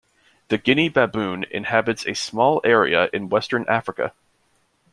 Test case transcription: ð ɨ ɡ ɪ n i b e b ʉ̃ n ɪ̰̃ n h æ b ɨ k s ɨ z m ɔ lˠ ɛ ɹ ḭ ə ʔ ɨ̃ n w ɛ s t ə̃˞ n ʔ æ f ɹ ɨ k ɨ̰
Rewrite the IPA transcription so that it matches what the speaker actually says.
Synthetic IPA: ð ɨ ɡ ɪ n i b æ b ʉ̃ n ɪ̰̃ n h æ b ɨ t s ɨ s m ɔ lˠ ɛ ɹ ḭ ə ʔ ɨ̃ n w ɛ s t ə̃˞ n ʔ æ f ɹ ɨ k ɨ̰